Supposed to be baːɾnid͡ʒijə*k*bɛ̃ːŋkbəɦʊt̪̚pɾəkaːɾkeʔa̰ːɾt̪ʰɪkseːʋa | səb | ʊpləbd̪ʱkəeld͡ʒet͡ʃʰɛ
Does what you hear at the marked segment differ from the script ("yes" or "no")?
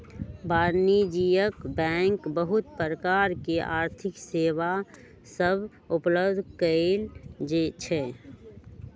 no